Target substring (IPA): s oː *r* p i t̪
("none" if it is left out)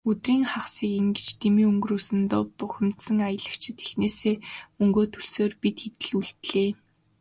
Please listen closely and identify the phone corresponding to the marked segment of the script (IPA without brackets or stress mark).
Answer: r